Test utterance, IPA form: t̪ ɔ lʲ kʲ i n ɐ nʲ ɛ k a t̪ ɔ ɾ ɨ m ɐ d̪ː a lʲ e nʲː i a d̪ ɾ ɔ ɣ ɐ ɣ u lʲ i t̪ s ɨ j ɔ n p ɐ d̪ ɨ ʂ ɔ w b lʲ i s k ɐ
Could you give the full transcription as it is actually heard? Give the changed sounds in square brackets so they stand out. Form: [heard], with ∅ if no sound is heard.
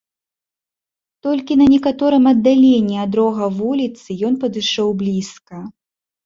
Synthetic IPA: t̪ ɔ lʲ kʲ i n ɐ nʲ ɛ k a t̪ ɔ ɾ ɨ m ɐ d̪ː a lʲ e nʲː i a d̪ ɾ ɔ ɣ ɐ [v] u lʲ i t̪ s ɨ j ɔ n p ɐ d̪ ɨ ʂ ɔ w b lʲ i s k ɐ

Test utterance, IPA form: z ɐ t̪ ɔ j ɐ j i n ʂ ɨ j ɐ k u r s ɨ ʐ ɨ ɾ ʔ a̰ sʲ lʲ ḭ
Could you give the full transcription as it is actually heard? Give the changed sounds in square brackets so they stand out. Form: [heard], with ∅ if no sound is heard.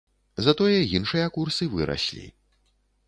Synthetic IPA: z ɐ t̪ ɔ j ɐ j i n ʂ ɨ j ɐ k u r s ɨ [v] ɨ ɾ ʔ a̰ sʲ lʲ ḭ

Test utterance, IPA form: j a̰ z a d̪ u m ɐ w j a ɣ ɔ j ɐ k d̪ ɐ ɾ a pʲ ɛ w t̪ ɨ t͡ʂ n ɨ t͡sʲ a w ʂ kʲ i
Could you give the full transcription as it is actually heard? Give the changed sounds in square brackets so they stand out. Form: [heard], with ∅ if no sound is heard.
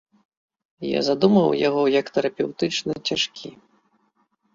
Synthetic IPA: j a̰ z a d̪ u m ɐ w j a ɣ ɔ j ɐ k [t̪] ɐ ɾ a pʲ ɛ w t̪ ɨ t͡ʂ n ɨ t͡sʲ a [∅] ʂ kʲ i

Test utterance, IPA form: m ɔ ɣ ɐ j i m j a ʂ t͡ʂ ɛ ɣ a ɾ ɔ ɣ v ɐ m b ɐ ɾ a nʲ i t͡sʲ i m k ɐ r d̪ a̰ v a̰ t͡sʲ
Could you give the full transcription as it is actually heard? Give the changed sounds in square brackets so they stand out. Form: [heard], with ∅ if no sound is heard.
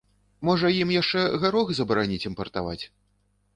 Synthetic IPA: m ɔ [ʐ] ɐ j i m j a ʂ t͡ʂ ɛ ɣ a ɾ ɔ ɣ [z] ɐ [∅] b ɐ ɾ a nʲ i t͡sʲ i m [p] ɐ r [t̪] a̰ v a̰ t͡sʲ

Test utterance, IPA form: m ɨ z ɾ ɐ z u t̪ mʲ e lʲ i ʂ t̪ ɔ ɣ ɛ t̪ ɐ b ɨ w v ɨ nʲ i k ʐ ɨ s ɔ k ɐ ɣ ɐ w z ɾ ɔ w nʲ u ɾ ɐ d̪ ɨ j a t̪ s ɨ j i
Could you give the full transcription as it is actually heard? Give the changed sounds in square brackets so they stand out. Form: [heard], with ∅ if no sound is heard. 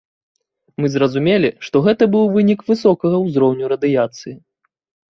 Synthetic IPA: m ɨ z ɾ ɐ z u [∅] mʲ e lʲ i ʂ t̪ ɔ ɣ ɛ t̪ ɐ b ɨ w v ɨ nʲ i k [v] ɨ s ɔ k ɐ ɣ ɐ w z ɾ ɔ w nʲ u ɾ ɐ d̪ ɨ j a t̪ s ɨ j i

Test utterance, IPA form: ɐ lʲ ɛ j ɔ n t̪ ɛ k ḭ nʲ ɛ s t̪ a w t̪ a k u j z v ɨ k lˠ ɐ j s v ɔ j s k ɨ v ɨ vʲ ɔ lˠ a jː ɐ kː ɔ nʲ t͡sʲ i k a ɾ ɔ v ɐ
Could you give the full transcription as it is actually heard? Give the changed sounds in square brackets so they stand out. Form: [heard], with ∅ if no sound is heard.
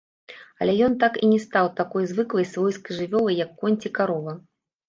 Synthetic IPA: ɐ lʲ ɛ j ɔ n t̪ [a] k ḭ nʲ ɛ s t̪ a w t̪ a k [ɔ] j z v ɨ k lˠ ɐ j s v ɔ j s k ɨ [ʐ] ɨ vʲ ɔ lˠ [ɐ] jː ɐ kː ɔ nʲ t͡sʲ i k a ɾ ɔ v ɐ

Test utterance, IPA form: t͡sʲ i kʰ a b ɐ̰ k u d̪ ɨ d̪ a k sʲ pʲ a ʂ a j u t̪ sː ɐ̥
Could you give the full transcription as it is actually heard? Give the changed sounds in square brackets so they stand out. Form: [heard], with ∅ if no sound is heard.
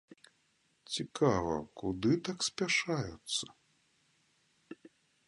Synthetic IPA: t͡sʲ i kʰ a [v] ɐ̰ k u d̪ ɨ [t̪] a k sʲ pʲ a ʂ a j u t̪ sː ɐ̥

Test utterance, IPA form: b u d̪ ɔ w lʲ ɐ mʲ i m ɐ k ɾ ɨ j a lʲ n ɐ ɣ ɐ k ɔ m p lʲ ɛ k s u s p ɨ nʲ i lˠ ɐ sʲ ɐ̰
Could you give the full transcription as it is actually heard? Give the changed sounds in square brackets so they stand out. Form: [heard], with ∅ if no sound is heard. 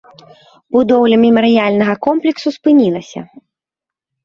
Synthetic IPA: b u d̪ ɔ w lʲ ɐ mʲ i m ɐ [∅] ɾ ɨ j a lʲ n ɐ ɣ ɐ k ɔ m p lʲ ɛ k s u s p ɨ nʲ i lˠ ɐ sʲ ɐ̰

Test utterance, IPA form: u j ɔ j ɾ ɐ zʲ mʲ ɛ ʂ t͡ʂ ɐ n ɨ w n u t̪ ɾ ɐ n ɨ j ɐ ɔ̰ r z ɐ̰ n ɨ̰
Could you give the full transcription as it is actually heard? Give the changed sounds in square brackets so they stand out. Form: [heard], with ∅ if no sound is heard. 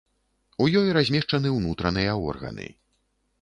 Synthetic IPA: u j ɔ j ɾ [a] zʲ mʲ ɛ ʂ t͡ʂ ɐ n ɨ w n u t̪ ɾ ɐ n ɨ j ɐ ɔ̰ r [ɣ] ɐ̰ n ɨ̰

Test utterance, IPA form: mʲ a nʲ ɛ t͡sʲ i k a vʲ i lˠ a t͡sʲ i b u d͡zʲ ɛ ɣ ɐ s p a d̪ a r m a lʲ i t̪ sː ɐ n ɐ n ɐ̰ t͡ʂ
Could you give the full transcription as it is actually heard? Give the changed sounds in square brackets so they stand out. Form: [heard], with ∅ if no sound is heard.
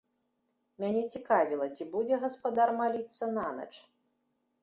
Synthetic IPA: mʲ a nʲ ɛ t͡sʲ i k a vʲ i lˠ [ɐ] t͡sʲ i b u d͡zʲ ɛ ɣ ɐ s p a d̪ a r m a lʲ i t̪ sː ɐ n [a] n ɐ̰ t͡ʂ

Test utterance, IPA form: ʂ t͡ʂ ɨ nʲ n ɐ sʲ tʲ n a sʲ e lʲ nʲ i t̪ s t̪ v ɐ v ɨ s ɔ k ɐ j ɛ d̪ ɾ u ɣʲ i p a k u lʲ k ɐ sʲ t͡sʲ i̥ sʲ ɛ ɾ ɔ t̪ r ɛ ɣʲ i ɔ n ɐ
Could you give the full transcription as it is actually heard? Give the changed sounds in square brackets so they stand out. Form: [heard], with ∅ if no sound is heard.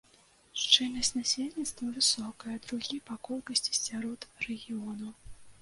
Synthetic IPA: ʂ t͡ʂ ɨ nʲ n ɐ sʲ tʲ n a sʲ e lʲ nʲ i t̪ s t̪ v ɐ v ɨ s ɔ k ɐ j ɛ d̪ ɾ u ɣʲ i p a k [ɔ] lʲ k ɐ sʲ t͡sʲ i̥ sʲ [a] ɾ ɔ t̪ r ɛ ɣʲ i ɔ n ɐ

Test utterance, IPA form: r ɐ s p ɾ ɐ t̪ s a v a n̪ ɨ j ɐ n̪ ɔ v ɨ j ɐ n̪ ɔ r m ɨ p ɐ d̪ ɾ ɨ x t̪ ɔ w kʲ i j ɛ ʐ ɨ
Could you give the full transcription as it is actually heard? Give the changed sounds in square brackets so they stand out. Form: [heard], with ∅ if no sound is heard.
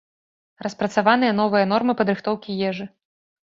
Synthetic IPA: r ɐ s p ɾ ɐ t̪ s a v a n̪ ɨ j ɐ n̪ ɔ v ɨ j ɐ n̪ ɔ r m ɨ p ɐ d̪ ɾ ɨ x t̪ ɔ w kʲ i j ɛ ʐ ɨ

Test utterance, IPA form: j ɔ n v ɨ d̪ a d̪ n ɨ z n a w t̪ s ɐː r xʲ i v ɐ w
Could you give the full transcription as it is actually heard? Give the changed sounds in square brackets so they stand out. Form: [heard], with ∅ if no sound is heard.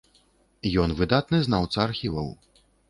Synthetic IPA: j ɔ n v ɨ d̪ a [t̪] n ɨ z n a w t̪ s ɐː r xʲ i v ɐ w

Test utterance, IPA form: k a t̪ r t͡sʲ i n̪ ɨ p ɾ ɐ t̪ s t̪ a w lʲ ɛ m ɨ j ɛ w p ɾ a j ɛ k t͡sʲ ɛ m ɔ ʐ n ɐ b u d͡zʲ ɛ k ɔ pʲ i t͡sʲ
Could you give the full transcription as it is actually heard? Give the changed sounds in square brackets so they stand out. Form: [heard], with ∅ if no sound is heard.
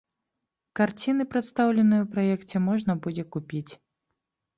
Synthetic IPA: k a [∅] r t͡sʲ i n̪ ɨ p ɾ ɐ t̪ s t̪ a w lʲ ɛ [n] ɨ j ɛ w p ɾ a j ɛ k t͡sʲ ɛ m ɔ ʐ n ɐ b u d͡zʲ ɛ k [u] pʲ i t͡sʲ

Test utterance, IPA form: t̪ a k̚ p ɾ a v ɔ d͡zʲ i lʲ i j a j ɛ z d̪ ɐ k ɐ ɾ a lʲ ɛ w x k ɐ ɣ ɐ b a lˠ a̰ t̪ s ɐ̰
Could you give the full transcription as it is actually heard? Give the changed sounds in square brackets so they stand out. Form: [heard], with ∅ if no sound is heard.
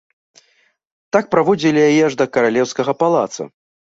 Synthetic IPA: t̪ a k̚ p ɾ a v ɔ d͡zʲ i lʲ i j a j ɛ [ʐ] d̪ ɐ k ɐ ɾ a lʲ ɛ w [s] k ɐ ɣ ɐ [p] a lˠ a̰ t̪ s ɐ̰

